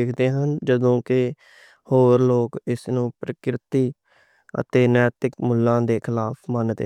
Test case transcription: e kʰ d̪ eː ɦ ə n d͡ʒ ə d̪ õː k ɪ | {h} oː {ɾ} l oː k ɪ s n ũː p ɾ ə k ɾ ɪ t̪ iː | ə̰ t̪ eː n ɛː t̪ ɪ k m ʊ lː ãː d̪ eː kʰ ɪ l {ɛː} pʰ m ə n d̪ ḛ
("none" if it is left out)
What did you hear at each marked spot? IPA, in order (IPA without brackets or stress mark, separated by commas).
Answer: h, ɾ, aː